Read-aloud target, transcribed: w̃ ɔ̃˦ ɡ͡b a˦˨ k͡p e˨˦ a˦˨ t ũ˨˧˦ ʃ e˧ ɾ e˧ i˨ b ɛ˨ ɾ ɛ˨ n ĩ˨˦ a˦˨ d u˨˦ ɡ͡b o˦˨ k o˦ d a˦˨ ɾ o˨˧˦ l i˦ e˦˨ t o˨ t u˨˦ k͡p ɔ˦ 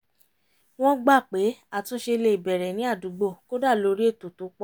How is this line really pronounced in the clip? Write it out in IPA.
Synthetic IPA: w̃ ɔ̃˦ ɡ͡b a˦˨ k͡p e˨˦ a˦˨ t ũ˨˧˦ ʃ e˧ l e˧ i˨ b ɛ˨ ɾ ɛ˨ n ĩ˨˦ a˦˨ d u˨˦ ɡ͡b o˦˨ k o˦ d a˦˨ l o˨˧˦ ɾ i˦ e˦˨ t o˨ t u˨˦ k͡p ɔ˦